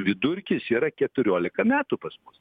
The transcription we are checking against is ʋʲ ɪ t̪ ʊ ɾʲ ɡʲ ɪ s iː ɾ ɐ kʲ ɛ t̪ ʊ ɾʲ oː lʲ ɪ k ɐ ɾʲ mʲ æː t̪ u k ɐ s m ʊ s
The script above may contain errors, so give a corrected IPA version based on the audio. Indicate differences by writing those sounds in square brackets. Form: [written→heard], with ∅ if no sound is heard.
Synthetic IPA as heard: ʋʲ ɪ [t̪→d̪] ʊ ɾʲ [ɡʲ→kʲ] ɪ s iː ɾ ɐ kʲ ɛ t̪ ʊ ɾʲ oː lʲ ɪ k ɐ [ɾʲ→∅] mʲ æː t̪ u [k→p] ɐ s m ʊ s